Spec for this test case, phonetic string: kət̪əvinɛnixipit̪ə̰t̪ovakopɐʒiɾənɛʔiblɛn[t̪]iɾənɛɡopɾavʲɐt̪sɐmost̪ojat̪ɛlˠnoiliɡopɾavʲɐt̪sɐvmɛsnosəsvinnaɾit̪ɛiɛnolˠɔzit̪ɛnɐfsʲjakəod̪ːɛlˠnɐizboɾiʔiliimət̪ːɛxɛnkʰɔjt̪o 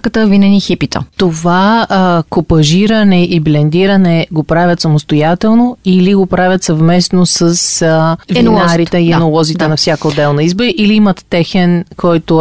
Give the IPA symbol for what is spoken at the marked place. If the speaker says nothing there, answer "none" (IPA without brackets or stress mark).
d̪